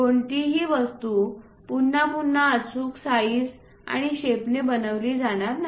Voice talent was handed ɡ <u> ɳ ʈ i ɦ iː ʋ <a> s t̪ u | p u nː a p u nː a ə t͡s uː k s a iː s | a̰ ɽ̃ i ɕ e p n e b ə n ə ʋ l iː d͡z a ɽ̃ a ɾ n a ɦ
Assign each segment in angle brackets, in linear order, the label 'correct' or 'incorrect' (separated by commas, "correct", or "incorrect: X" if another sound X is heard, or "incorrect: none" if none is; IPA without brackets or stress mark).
incorrect: o, incorrect: ə